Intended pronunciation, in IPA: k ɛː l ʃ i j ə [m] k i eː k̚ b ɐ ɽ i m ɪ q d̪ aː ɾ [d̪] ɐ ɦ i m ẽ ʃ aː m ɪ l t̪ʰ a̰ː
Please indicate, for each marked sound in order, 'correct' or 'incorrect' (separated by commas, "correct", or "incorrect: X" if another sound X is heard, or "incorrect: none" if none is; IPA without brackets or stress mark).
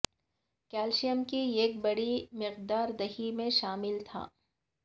correct, correct